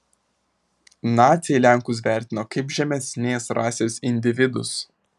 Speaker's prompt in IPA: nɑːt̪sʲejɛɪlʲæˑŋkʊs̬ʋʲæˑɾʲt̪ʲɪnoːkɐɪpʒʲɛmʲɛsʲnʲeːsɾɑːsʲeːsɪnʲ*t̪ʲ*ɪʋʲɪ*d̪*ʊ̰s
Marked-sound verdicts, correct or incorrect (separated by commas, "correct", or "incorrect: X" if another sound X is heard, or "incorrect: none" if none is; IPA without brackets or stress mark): incorrect: d̪ʲ, correct